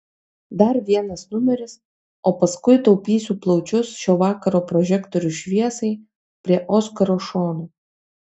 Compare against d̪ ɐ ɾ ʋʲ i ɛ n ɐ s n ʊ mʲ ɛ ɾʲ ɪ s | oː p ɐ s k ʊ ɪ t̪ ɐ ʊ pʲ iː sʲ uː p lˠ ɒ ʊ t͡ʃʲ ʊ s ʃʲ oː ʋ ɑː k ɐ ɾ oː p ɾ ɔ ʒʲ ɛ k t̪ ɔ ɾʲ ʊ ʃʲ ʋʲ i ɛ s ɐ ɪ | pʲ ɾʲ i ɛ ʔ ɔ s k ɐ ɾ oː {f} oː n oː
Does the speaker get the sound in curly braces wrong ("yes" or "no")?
yes